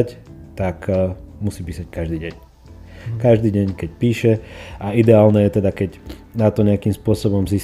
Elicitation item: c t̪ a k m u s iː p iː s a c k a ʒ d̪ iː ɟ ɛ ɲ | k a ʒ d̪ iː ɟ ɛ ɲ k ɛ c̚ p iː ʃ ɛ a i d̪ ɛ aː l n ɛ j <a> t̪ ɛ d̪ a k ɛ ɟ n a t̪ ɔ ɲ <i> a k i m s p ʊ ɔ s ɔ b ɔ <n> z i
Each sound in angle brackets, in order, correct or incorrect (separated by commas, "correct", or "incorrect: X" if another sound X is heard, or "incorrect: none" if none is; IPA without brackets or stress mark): incorrect: ɛ, incorrect: ɛ, incorrect: m